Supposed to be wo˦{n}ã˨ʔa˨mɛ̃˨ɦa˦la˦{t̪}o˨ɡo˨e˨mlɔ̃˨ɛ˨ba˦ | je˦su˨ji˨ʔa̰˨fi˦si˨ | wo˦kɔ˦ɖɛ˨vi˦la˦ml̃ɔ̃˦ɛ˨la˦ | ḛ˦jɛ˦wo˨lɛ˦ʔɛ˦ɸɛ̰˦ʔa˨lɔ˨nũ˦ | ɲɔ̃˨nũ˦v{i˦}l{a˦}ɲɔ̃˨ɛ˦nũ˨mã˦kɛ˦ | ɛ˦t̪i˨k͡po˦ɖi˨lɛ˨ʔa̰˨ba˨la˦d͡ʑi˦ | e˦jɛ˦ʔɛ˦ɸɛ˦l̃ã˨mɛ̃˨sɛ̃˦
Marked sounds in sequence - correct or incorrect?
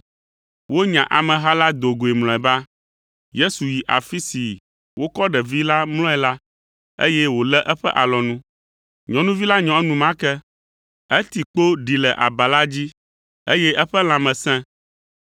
incorrect, incorrect, correct, correct

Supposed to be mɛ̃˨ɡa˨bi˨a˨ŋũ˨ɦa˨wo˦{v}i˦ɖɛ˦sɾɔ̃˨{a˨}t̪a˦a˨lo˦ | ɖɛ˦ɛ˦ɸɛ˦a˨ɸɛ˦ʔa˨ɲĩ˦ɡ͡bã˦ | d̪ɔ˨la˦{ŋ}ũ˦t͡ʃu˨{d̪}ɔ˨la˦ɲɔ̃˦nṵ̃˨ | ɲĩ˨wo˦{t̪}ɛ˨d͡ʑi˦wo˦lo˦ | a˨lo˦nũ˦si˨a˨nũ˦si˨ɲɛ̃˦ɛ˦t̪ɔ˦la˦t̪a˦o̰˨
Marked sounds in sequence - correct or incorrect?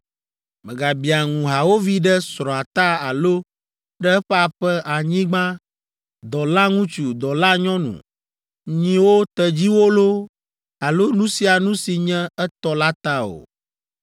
correct, correct, correct, correct, correct

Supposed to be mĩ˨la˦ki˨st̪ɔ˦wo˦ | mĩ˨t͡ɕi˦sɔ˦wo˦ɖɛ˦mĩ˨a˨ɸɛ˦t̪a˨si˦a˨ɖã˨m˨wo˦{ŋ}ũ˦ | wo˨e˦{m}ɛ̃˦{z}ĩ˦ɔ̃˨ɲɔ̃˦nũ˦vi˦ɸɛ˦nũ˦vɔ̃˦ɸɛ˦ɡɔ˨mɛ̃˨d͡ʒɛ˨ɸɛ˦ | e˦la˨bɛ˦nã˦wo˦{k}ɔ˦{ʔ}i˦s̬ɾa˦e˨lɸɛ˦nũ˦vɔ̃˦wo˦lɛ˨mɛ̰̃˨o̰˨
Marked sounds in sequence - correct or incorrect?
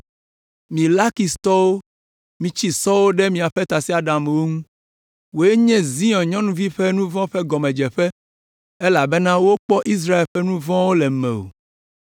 correct, incorrect, correct, incorrect, correct

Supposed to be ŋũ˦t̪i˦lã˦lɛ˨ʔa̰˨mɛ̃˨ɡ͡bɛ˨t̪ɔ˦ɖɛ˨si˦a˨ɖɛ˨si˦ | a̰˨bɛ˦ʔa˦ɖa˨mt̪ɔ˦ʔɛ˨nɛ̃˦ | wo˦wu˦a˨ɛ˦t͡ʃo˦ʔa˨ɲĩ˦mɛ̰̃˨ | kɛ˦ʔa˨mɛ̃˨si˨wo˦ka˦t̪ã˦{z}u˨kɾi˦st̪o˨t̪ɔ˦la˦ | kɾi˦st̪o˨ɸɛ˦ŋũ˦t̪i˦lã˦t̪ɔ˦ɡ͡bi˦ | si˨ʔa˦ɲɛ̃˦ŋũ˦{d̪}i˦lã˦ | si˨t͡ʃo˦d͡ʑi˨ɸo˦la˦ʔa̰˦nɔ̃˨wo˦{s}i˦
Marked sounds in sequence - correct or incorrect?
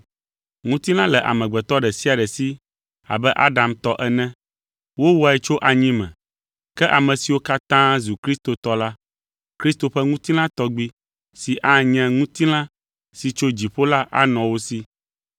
correct, incorrect, correct

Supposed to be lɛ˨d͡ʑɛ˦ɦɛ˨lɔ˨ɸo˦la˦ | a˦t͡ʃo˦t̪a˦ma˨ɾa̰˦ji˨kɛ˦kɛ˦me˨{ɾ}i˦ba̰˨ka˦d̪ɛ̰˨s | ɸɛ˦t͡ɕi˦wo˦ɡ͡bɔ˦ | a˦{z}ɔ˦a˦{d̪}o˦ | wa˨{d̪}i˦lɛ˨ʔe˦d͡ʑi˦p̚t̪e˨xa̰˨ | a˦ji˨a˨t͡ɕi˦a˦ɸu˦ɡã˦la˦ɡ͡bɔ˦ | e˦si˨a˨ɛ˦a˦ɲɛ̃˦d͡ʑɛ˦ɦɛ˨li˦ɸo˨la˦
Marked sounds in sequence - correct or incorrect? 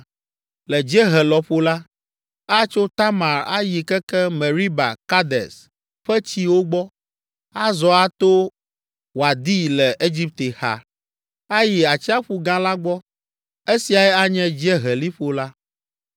correct, correct, incorrect, correct

